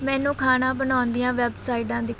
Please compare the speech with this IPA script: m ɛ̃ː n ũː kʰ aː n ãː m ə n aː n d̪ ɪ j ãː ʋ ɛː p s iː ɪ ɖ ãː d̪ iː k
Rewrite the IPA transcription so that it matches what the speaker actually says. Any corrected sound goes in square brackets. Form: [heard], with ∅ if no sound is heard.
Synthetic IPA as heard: m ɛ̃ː n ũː kʰ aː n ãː [b] ə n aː n d̪ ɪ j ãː ʋ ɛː [b] s [aː] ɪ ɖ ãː d̪ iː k